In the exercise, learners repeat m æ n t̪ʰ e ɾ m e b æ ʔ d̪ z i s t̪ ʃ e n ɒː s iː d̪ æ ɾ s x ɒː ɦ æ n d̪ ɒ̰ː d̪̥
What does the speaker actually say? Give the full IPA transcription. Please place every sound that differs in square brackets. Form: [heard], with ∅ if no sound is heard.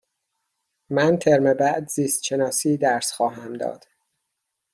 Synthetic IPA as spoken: m æ n t̪ʰ e ɾ m e b æ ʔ d̪ z [iː] s t̪ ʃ e n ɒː s iː d̪ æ ɾ s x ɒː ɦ æ [m] d̪ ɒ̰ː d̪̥